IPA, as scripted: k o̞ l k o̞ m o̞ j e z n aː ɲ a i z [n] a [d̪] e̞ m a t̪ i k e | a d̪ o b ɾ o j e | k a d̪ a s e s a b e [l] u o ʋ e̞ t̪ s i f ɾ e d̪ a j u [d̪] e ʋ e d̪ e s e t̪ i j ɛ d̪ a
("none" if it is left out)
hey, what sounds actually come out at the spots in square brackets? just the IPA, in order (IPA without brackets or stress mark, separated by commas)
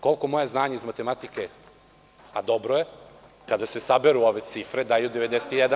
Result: m, t̪, ɾ, d̪